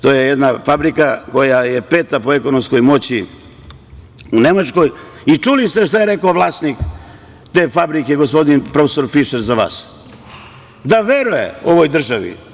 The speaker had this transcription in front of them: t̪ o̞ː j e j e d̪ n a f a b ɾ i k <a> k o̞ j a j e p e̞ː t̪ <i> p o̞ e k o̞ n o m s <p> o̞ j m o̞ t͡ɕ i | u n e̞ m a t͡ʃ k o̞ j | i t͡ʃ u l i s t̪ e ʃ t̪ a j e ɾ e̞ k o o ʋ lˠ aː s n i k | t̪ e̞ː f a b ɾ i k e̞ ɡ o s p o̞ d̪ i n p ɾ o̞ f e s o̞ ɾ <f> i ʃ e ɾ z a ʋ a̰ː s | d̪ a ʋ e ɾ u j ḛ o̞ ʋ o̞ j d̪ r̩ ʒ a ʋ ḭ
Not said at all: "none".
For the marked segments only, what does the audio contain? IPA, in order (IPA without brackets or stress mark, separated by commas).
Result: a, a, k, f